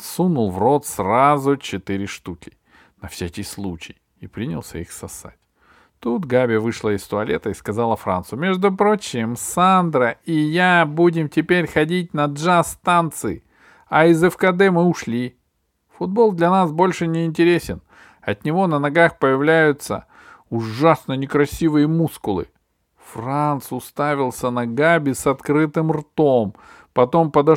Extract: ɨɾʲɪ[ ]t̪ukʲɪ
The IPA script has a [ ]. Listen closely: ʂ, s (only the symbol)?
ʂ